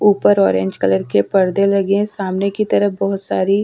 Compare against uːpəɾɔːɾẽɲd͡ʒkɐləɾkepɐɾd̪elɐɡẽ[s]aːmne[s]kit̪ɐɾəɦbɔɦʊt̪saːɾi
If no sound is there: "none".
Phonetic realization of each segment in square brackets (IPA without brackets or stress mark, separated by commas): s, none